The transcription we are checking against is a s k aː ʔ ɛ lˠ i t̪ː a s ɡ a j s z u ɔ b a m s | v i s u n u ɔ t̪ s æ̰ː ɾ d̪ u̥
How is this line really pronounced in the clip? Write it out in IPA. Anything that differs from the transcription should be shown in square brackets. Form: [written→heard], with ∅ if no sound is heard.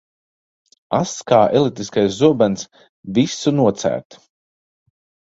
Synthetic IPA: a s k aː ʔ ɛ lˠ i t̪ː [a→i] s [ɡ→k] a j s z u ɔ b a [m→n] s | v i s u n u ɔ t̪ s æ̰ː ɾ [d̪→t̪] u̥

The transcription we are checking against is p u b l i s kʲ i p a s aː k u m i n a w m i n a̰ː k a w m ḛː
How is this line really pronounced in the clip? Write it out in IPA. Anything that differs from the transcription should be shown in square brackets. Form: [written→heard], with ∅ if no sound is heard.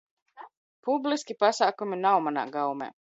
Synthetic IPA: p u b l i s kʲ i p a s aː k u m i n a w m [i→a] n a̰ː [k→ɡ] a w m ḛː

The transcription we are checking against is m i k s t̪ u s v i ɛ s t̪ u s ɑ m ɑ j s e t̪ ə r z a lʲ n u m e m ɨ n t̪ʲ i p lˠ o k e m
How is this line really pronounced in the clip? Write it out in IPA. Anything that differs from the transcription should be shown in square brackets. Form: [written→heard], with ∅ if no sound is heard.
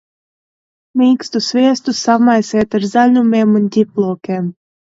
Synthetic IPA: m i k s t̪ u s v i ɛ s t̪ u s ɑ m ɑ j s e t̪ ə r z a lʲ n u m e m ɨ n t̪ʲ i p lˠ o k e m

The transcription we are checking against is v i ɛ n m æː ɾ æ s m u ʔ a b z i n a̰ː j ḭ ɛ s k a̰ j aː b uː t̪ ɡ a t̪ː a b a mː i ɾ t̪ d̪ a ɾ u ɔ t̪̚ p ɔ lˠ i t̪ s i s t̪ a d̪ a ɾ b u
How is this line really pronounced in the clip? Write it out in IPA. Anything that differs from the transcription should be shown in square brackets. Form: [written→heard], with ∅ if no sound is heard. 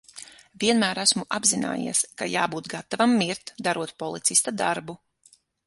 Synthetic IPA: v i ɛ n m æː ɾ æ s m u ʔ a b z i n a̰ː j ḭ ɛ s k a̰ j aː b uː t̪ ɡ a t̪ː a [b→v] a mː i ɾ t̪ d̪ a ɾ u ɔ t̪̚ p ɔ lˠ i t̪ s i s t̪ a d̪ a ɾ b u

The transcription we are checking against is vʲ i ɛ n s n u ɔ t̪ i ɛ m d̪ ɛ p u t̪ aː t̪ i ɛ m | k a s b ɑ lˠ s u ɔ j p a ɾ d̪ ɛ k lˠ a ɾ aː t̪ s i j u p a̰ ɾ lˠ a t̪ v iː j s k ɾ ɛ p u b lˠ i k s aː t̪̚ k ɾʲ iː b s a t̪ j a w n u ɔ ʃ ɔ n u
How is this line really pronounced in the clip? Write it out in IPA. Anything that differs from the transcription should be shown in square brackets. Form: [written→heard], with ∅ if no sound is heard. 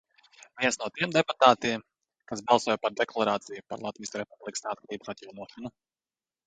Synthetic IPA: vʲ i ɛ n s n u ɔ t̪ i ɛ m d̪ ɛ p u t̪ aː t̪ i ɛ m | k a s b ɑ lˠ s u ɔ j p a ɾ d̪ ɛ k lˠ a ɾ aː t̪ s i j u p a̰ ɾ lˠ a t̪ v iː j s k ɾ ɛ p u b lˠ i k s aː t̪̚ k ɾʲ iː b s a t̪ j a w n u ɔ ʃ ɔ n u

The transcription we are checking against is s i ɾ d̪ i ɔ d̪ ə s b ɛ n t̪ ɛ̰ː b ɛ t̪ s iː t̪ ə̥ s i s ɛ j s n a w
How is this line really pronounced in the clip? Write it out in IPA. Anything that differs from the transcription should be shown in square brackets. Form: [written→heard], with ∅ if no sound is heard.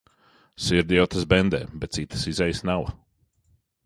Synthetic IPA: s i ɾ d̪ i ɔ [d̪→t̪] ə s b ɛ n [t̪→d̪] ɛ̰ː b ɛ t̪ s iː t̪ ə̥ s i [s→z] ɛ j s n a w

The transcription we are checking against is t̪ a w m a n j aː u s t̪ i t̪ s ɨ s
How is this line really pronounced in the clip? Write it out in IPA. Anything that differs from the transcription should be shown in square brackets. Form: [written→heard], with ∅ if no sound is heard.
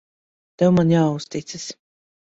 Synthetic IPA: t̪ [a→ɛ] w m a n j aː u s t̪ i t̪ s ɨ s

